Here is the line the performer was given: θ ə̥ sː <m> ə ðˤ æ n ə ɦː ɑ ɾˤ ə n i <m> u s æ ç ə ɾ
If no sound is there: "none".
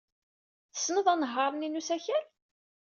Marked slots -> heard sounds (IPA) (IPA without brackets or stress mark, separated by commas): n, n